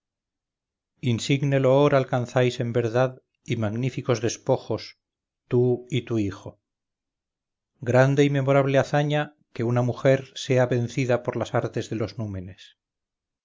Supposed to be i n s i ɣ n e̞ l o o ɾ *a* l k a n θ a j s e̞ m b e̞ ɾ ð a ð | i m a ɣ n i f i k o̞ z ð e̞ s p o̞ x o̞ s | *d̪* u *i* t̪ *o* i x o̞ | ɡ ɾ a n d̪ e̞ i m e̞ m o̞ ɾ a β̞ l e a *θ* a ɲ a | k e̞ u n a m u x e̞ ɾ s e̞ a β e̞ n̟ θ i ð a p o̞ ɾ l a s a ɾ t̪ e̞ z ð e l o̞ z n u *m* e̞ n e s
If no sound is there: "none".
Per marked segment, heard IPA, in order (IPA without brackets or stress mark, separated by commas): a, t̪, i, u, θ, m